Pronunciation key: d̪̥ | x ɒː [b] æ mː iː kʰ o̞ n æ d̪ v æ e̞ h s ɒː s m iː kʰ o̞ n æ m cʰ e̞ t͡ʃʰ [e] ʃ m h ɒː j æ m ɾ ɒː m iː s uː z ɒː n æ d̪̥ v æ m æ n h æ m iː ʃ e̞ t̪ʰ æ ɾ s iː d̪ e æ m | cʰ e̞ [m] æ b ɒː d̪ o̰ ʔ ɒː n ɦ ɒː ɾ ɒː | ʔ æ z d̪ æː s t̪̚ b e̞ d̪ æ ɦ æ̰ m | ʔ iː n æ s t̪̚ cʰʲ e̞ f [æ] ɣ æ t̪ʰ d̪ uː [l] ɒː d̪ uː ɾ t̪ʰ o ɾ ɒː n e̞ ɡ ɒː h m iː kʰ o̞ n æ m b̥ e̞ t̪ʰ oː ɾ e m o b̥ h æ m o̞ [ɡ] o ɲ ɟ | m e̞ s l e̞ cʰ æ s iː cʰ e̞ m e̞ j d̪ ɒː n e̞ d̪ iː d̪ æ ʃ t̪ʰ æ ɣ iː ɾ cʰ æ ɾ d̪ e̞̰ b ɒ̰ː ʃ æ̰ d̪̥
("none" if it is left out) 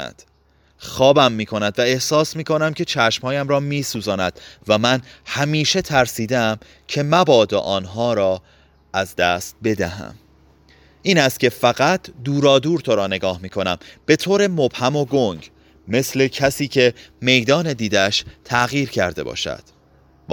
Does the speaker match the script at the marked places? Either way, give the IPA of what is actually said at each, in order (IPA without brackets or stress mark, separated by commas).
b, æ, m, æ, ɾ, ɡ